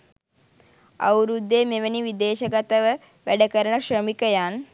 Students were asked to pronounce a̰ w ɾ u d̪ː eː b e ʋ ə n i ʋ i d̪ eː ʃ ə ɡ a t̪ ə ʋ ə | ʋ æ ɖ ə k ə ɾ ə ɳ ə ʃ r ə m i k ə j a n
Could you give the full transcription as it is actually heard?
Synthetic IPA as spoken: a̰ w ɾ u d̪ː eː m e ʋ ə n i ʋ i d̪ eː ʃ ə ɡ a t̪ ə ʋ ə | ʋ æ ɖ ə k ə ɾ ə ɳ ə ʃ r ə m i k ə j a n